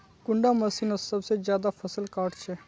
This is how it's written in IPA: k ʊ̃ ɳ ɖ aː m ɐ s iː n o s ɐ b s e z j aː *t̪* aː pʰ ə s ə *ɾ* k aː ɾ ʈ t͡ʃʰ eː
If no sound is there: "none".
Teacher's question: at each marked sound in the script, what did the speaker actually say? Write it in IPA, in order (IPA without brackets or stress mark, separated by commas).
d̪, l